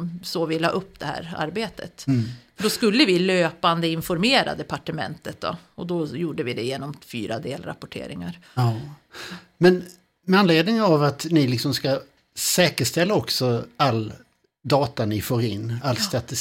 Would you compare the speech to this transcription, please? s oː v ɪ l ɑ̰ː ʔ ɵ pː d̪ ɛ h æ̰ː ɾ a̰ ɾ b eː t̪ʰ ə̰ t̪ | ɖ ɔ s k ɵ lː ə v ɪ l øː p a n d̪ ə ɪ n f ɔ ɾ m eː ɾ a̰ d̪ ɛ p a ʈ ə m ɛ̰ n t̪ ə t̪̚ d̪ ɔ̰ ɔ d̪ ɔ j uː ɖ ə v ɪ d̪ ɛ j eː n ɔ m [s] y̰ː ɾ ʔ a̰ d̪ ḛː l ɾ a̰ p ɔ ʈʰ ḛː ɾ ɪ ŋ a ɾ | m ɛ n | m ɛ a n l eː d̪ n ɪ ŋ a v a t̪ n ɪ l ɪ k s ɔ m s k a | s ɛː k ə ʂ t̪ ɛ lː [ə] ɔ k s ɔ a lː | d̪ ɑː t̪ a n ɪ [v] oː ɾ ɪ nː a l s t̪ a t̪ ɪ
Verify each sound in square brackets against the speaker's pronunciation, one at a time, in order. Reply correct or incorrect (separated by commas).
incorrect, incorrect, incorrect